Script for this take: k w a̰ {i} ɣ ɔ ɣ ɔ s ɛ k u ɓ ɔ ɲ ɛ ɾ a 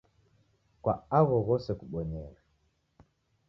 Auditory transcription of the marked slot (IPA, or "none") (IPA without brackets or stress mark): a